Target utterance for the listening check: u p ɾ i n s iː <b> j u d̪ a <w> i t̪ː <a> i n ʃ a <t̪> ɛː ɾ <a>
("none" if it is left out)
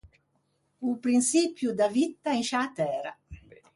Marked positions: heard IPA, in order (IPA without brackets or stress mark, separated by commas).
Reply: p, v, a, t̪, a